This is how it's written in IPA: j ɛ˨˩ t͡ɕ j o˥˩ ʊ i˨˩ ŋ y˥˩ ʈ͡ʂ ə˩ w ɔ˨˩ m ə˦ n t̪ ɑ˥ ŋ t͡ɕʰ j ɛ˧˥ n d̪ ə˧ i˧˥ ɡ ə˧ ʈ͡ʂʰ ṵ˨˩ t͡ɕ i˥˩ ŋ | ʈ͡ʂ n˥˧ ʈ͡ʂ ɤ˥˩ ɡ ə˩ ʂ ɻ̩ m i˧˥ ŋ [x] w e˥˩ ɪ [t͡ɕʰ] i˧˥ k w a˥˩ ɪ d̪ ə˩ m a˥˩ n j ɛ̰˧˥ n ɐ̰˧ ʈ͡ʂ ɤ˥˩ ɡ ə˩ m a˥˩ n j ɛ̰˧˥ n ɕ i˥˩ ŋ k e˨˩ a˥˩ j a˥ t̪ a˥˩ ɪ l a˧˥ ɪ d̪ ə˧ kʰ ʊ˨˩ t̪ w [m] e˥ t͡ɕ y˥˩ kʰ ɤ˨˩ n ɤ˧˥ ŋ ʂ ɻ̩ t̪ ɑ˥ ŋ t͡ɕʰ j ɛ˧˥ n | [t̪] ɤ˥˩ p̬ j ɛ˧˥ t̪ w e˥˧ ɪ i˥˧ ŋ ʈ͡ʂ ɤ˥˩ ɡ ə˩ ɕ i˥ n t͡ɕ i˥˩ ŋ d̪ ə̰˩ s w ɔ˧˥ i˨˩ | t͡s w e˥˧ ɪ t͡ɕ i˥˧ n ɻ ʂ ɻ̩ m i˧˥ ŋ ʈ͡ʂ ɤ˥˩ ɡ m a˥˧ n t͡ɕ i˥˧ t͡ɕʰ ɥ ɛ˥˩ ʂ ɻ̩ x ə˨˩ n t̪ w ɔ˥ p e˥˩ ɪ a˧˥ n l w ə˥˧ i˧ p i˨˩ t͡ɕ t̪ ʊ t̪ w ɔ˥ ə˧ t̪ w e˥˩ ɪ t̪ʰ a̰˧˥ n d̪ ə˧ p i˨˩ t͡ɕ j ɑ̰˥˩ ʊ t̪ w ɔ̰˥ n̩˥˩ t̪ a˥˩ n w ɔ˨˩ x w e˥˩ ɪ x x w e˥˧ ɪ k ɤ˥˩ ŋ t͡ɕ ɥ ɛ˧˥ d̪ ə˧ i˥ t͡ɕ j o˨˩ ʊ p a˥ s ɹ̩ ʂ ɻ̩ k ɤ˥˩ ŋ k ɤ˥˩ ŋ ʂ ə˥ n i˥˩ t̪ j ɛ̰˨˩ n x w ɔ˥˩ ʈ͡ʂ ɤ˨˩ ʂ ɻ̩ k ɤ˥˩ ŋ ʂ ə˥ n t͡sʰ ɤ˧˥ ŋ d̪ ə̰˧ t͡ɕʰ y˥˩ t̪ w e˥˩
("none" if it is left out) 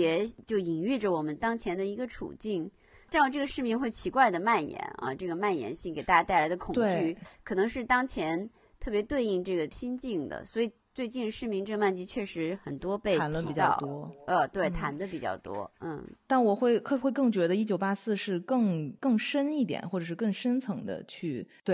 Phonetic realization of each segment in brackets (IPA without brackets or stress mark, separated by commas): x, t͡ɕʰ, ŋ, t̪ʰ